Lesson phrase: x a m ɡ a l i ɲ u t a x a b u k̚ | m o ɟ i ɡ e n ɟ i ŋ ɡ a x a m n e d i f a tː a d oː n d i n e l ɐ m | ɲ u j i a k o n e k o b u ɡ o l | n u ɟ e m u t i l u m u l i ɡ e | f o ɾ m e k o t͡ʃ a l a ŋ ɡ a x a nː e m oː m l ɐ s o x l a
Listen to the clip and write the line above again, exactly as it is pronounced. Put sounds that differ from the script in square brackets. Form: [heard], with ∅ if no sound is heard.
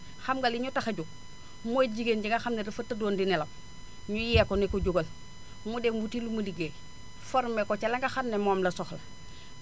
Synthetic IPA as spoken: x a m ɡ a l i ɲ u t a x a [ɟ] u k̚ | m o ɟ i ɡ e n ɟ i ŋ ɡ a x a m n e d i f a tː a d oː n d i n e l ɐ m | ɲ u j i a k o n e k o [ɟ] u ɡ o l | [m] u [d] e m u t i l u m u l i ɡ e | f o ɾ m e k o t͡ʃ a l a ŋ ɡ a x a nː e m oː m l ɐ s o x l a